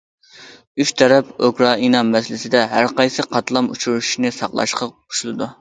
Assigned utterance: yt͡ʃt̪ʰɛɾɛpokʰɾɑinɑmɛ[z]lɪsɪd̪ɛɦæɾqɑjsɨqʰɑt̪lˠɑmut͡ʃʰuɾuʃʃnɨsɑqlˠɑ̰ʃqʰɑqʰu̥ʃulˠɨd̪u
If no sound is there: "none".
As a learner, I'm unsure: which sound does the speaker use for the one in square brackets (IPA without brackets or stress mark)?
s